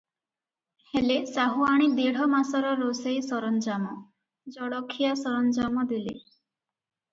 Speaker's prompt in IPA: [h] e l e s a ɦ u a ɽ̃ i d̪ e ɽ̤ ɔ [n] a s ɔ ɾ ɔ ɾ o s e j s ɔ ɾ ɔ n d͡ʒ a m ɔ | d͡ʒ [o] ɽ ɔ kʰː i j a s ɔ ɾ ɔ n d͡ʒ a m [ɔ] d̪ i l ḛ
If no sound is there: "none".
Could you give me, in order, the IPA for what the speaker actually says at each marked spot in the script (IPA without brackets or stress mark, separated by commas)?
h, m, ɔ, ɔ